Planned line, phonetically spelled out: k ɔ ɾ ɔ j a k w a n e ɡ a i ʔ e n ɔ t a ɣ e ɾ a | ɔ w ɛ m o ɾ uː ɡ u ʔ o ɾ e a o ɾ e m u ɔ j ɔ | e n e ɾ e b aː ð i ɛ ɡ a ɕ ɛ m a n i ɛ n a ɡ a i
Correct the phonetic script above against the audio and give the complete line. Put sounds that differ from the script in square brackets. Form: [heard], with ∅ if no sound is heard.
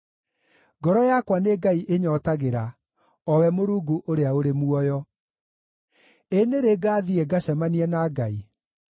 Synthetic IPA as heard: [ɡ] ɔ ɾ ɔ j a k w a n e ɡ a i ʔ e [ɲ] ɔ t a ɣ e ɾ a | ɔ w ɛ m o ɾ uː ɡ u ʔ o ɾ e a o ɾ e m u ɔ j ɔ | e n e ɾ e [ɡ] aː ð i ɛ ɡ a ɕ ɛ m a n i ɛ n a ɡ a i